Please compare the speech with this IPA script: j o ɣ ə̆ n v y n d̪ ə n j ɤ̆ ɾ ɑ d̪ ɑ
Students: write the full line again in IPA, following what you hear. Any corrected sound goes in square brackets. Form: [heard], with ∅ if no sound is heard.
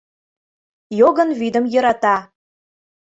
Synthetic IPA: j o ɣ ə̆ n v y [∅] d̪ ə [m] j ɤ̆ ɾ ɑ [t̪] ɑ